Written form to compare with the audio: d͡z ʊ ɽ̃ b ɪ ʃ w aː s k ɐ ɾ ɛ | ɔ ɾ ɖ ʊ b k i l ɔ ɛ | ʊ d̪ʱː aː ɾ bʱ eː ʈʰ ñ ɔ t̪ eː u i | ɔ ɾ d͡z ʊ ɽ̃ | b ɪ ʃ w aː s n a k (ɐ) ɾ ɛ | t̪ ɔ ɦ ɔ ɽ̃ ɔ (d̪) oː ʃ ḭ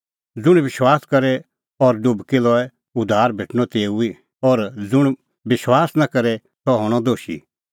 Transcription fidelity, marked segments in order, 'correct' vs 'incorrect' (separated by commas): correct, correct